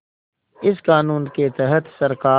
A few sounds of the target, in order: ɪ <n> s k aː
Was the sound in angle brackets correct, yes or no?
no